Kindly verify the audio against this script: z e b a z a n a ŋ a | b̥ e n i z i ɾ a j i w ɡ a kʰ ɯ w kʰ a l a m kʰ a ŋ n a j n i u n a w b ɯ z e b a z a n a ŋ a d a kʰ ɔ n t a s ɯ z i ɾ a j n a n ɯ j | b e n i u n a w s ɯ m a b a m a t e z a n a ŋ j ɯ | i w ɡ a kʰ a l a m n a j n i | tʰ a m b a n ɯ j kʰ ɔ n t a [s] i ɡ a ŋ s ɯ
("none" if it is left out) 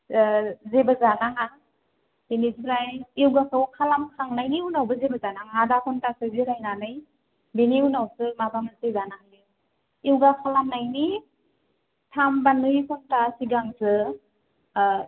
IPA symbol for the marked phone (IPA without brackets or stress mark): s